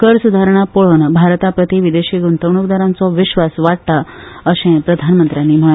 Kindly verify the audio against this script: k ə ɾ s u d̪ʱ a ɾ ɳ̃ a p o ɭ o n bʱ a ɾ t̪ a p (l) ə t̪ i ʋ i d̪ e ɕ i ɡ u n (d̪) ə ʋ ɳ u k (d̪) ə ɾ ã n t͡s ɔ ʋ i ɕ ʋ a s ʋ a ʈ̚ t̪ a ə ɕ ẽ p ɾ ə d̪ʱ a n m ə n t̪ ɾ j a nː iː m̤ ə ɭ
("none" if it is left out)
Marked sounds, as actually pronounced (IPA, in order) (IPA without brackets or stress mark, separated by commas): ɾ, t̪, d̪